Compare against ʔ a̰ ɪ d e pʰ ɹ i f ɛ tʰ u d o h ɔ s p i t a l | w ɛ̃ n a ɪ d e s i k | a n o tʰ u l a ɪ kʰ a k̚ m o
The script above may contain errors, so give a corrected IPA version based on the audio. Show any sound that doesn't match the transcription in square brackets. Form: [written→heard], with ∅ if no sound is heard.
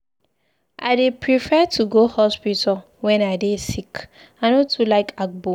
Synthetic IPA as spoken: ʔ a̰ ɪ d e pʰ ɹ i f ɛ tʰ u [d→ɡ] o h ɔ s p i t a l | w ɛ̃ n a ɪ d e s i k | a n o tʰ u l a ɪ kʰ a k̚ [m→b] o